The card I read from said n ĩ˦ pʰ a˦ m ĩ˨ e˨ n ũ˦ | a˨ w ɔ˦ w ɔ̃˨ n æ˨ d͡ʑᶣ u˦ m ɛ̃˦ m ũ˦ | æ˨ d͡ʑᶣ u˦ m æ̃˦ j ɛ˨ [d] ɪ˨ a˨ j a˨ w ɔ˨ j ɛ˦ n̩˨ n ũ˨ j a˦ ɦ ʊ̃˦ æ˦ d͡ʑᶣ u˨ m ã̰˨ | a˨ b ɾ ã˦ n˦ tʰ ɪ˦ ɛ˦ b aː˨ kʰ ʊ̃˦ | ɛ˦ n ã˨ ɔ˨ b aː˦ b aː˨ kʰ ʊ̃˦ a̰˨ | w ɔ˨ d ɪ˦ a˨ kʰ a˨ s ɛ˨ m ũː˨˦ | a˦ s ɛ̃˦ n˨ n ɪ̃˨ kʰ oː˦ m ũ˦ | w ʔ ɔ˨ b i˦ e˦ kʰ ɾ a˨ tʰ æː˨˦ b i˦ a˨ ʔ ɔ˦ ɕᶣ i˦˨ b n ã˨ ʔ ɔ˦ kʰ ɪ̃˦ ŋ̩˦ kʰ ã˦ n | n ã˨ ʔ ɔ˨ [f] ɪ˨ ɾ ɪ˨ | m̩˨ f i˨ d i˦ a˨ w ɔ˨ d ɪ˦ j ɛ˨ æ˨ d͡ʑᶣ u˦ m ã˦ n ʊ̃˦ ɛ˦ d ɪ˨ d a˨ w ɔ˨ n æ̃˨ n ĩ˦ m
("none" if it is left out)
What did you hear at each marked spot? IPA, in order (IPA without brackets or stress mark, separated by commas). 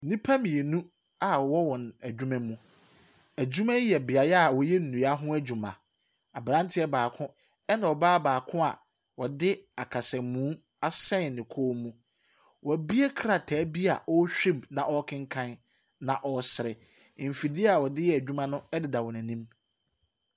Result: b, s